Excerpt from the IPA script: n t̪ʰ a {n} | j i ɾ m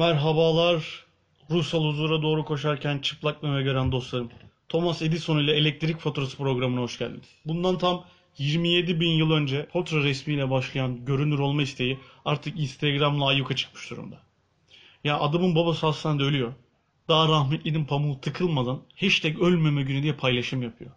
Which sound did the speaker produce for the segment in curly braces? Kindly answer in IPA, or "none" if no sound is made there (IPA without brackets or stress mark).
m